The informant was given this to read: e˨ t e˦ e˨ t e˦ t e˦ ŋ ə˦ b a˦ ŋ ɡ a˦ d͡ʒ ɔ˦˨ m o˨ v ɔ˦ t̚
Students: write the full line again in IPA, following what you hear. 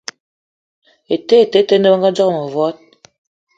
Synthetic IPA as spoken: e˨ t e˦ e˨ t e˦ t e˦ n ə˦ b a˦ ŋ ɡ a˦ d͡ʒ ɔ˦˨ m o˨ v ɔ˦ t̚